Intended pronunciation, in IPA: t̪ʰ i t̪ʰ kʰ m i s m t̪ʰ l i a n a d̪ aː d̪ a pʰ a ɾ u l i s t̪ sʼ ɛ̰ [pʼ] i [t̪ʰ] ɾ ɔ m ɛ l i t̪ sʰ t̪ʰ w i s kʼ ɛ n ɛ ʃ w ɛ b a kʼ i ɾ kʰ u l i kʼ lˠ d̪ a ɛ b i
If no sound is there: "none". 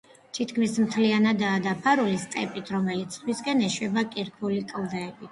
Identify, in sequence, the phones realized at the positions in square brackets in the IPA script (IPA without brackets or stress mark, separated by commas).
pʼ, t̪ʰ